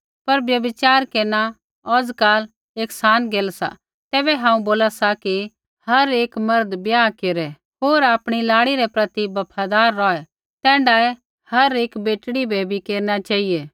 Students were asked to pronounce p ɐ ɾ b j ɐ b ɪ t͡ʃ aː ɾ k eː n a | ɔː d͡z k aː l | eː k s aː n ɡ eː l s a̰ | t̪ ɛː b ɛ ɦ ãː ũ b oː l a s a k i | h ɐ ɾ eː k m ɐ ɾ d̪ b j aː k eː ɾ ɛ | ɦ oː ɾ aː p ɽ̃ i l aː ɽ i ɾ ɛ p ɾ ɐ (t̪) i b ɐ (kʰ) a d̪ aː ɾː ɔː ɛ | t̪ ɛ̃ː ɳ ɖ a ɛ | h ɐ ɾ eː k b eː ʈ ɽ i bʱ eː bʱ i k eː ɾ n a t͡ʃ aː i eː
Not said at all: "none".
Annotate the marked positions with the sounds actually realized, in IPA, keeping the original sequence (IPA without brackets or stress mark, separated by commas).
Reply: t̪, pʰ